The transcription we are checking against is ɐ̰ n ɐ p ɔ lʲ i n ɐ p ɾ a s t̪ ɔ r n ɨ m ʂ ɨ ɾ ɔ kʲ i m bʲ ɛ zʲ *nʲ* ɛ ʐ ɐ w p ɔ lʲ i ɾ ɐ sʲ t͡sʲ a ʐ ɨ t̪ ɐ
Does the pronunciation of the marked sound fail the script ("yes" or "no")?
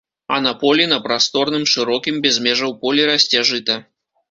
yes